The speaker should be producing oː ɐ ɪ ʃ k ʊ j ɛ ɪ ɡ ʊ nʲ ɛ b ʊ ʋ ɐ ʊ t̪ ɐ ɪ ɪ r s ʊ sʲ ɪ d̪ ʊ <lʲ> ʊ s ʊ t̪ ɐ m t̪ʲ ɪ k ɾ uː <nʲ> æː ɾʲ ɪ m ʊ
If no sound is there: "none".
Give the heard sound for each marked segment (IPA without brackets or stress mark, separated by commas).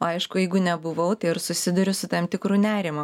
ɾʲ, nʲ